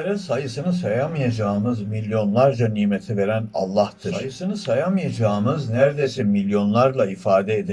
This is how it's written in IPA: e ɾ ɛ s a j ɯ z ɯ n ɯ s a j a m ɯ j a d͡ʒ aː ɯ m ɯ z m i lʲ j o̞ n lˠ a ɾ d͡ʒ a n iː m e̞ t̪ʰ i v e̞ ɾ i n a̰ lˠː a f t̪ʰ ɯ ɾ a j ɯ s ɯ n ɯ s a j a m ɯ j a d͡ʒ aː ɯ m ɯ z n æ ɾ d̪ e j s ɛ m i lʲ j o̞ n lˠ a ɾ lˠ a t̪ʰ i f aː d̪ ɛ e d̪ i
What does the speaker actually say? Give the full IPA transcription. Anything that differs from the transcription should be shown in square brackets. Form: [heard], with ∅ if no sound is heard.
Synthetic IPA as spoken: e ɾ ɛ s a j ɯ [s] ɯ n ɯ s a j a m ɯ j a d͡ʒ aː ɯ m ɯ z m i lʲ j o̞ n lˠ a ɾ d͡ʒ a n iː m e̞ t̪ʰ i v e̞ ɾ [æ] n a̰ lˠː a [h] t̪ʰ ɯ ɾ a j ɯ s ɯ n ɯ s a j a m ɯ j a d͡ʒ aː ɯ m ɯ z n æ ɾ d̪ e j s ɛ m i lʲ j o̞ n lˠ a ɾ lˠ a [∅] i f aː d̪ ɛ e d̪ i